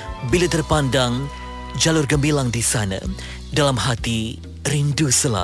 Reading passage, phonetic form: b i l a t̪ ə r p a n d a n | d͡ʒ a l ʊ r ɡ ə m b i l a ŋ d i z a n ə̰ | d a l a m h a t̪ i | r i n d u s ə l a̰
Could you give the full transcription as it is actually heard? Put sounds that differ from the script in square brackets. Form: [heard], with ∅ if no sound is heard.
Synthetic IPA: b i l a t̪ ə r p a n d a [ŋ] | d͡ʒ a l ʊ r ɡ ə m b i l a ŋ d i [s] a n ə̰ | d a l a m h a t̪ i | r i n d u s ə l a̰